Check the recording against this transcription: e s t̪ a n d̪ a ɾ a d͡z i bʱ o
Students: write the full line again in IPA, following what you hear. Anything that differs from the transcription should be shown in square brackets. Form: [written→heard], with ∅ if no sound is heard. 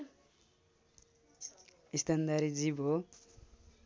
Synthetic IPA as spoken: [e→i] s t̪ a n d̪ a ɾ [a→i] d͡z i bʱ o